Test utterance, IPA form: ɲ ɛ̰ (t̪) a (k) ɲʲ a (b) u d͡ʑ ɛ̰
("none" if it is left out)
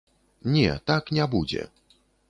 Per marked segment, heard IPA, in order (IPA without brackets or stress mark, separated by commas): t̪, k, b